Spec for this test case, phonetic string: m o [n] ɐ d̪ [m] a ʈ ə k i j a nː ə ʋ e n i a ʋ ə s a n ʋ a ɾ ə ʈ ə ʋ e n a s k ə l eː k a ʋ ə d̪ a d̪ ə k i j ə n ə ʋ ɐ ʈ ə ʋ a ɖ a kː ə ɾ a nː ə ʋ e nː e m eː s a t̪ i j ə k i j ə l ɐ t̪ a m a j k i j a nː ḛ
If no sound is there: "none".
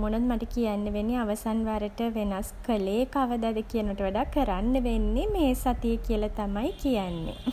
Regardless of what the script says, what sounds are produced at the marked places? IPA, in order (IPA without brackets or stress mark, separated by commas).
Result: n, m